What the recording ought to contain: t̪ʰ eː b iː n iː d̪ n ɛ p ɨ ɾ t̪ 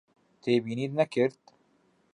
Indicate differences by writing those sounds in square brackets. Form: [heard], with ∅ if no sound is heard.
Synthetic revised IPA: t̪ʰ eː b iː n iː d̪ n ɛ [k] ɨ ɾ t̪